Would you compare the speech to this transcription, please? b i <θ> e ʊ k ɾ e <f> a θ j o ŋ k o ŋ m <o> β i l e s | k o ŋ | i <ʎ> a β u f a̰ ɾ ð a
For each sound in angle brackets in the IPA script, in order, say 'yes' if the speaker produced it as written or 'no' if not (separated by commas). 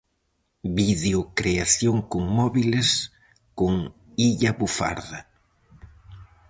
no, no, no, yes